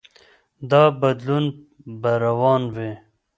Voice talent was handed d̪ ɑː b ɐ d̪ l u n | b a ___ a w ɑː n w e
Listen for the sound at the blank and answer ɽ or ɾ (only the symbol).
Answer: ɾ